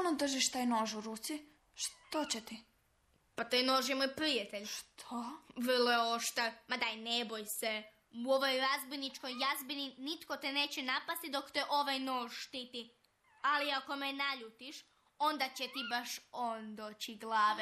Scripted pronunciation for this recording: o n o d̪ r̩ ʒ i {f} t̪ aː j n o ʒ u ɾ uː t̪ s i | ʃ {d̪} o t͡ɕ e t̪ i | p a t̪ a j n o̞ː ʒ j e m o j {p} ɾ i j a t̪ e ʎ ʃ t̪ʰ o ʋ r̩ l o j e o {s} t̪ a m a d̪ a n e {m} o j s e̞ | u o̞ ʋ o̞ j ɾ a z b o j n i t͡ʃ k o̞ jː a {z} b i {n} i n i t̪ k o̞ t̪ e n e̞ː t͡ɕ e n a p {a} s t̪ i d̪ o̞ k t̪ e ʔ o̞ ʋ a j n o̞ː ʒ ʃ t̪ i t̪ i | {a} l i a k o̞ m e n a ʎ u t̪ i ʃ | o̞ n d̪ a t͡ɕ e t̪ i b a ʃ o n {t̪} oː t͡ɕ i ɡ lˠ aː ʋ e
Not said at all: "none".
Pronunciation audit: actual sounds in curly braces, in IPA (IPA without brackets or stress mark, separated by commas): ʃ, t̪, p, ʃ, b, z, n, a, a, d̪